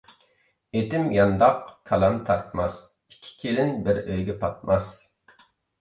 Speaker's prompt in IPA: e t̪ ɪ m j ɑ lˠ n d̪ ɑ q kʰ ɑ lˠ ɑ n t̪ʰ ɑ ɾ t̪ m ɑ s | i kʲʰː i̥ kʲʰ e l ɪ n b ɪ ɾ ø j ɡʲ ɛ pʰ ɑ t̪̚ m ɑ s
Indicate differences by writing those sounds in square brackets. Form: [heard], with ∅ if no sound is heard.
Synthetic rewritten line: e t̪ ɪ m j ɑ [∅] n d̪ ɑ q kʰ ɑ lˠ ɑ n t̪ʰ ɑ ɾ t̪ m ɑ s | i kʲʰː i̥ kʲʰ e l ɪ n b ɪ ɾ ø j ɡʲ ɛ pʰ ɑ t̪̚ m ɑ s

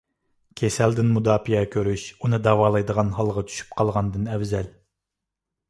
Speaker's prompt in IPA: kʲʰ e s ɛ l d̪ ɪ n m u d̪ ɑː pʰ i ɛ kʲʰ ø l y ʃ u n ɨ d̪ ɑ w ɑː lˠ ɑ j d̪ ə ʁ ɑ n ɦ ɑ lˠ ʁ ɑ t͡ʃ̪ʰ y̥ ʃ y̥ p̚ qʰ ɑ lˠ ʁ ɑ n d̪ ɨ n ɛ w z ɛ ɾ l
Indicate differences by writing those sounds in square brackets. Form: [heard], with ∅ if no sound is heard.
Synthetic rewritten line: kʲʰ e s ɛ l d̪ ɪ n m u d̪ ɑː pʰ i ɛ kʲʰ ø [ɾ] y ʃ u n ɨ d̪ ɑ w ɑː lˠ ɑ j d̪ ə ʁ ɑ n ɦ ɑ lˠ ʁ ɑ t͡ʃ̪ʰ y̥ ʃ y̥ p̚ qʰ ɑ lˠ ʁ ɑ n d̪ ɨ n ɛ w z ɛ [∅] l

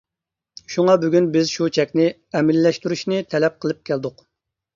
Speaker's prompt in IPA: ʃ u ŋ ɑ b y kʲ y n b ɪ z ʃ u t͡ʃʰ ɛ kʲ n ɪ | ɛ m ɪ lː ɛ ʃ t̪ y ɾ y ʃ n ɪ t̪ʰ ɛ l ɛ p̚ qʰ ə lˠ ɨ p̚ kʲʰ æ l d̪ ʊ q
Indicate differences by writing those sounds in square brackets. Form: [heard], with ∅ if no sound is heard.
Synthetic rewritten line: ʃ u ŋ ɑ b y [ɡʲ] y n b ɪ z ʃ u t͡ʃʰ ɛ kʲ n ɪ | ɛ m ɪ lː ɛ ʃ t̪ y ɾ y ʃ n ɪ t̪ʰ ɛ l ɛ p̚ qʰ ə lˠ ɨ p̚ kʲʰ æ l d̪ ʊ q

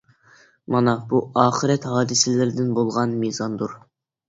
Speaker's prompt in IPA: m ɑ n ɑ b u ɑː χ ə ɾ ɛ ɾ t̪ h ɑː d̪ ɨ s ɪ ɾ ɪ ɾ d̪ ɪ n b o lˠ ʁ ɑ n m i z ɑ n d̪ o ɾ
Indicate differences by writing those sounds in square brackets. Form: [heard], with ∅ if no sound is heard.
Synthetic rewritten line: m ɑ n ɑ b u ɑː χ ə ɾ ɛ [∅] t̪ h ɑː d̪ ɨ s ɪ [l] ɪ ɾ d̪ ɪ n b o lˠ ʁ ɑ n m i z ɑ n d̪ [u] ɾ

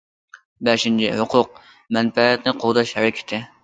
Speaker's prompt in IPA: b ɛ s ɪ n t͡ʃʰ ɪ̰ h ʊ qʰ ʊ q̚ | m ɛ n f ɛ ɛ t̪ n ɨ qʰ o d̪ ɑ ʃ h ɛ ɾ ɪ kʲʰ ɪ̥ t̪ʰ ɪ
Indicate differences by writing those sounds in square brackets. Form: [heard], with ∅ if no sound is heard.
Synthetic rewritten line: b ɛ [ʃ] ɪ n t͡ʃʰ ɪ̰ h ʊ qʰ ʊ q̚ | m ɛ n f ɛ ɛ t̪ n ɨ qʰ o d̪ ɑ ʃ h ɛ ɾ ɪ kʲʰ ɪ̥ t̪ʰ ɪ

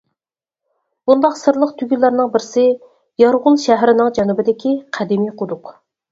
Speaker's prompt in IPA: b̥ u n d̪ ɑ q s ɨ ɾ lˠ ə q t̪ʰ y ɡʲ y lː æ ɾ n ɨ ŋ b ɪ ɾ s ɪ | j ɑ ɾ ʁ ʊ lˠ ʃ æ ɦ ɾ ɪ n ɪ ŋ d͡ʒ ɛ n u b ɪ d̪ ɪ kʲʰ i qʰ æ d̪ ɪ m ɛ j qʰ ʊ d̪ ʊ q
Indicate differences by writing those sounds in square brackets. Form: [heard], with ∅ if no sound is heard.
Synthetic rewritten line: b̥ u n d̪ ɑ q s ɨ ɾ lˠ ə q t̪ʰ y ɡʲ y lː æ ɾ n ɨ ŋ b ɪ ɾ s ɪ | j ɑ ɾ ʁ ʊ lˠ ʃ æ ɦ ɾ ɪ n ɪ ŋ d͡ʒ ɛ n u b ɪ d̪ ɪ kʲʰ i qʰ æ d̪ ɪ m [i] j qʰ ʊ d̪ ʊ q

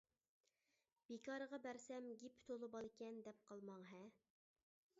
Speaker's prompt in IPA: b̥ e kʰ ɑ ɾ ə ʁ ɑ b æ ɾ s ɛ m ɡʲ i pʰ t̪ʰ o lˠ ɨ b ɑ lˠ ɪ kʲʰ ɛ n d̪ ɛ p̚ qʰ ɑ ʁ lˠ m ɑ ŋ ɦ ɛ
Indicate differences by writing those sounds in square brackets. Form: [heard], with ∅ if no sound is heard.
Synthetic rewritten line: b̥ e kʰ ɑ ɾ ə ʁ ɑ b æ ɾ s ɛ m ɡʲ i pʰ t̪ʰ o lˠ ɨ b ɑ lˠ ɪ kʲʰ ɛ n d̪ ɛ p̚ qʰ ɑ [∅] lˠ m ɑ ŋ ɦ ɛ

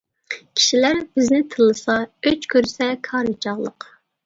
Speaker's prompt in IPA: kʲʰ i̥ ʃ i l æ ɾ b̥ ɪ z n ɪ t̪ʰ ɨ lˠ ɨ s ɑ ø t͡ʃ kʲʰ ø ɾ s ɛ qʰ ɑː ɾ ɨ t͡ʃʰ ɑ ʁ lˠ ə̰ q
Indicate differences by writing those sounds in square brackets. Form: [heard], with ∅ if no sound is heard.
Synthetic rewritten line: kʲʰ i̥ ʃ i l æ ɾ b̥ ɪ z n ɪ t̪ʰ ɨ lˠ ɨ s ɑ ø t͡ʃ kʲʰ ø ɾ s ɛ [kʰ] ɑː ɾ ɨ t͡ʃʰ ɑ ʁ lˠ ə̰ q

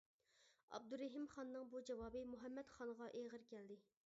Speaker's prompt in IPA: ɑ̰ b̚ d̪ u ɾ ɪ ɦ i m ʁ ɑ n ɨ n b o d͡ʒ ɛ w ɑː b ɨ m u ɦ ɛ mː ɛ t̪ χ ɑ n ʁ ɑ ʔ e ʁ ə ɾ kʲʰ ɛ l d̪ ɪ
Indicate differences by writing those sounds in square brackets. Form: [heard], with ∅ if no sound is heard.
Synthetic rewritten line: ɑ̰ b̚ d̪ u ɾ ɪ ɦ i m [χ] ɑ [nː] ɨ [ŋ] b [u] d͡ʒ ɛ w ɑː b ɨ m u ɦ ɛ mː ɛ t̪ χ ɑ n ʁ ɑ ʔ e ʁ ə ɾ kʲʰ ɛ l d̪ ɪ

